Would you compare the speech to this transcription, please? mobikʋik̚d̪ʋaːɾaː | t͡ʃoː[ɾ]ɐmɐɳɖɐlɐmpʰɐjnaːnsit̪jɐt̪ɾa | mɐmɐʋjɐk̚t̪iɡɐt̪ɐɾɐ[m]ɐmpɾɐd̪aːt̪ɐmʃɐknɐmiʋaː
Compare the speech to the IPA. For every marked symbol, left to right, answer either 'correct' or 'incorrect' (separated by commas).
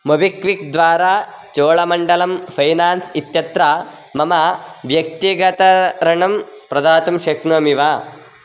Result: incorrect, incorrect